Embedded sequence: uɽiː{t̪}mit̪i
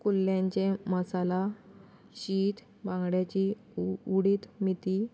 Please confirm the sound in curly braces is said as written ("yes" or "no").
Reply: yes